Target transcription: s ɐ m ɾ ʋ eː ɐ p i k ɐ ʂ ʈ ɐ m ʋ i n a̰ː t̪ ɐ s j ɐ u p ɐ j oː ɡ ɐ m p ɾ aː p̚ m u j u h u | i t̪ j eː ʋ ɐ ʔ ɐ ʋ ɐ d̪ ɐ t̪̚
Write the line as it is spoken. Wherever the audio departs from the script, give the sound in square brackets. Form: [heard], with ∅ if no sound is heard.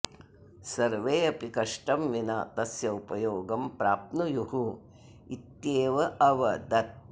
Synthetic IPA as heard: s ɐ [∅] ɾ ʋ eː ɐ p i k ɐ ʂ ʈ ɐ m ʋ i n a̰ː t̪ ɐ s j ɐ u p ɐ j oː ɡ ɐ m p ɾ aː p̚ [n] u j u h u | i t̪ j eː ʋ ɐ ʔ ɐ ʋ ɐ d̪ ɐ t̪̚